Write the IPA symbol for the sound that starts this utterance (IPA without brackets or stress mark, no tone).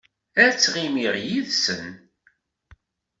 æ